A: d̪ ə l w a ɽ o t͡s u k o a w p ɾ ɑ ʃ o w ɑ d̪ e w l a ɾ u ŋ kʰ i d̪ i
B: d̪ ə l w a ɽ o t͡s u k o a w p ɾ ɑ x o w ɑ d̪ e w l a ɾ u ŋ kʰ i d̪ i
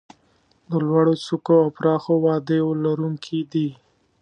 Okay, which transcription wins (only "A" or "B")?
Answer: B